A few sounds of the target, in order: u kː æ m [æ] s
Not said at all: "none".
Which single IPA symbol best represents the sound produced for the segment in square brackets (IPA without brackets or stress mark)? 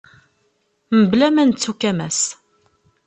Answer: æ